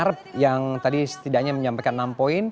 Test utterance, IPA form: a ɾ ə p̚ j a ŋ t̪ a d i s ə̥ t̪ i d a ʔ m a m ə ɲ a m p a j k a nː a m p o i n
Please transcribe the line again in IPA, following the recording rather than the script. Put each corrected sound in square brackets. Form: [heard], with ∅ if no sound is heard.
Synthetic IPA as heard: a ɾ ə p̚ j a ŋ t̪ a d i s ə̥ t̪ i d a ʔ [ɲ] a m ə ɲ a m p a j k a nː a m p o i n